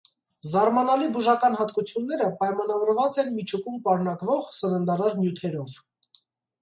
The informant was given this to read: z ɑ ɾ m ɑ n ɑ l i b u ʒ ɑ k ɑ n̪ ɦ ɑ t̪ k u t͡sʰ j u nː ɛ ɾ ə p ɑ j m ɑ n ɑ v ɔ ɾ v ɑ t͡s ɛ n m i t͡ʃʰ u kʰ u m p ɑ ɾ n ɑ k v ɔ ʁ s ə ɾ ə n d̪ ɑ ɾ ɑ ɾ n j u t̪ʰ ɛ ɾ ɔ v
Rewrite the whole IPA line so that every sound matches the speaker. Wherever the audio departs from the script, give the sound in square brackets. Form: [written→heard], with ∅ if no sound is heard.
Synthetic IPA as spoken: z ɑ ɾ m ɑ n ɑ l i b u ʒ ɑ k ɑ n̪ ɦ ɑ t̪ k u t͡sʰ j u nː ɛ ɾ ə p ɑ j m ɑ n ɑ v ɔ ɾ v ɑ t͡s ɛ n m i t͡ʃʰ u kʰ u m p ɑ ɾ n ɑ k v ɔ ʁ s ə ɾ ə n d̪ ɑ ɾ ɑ ɾ n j u t̪ʰ ɛ ɾ ɔ v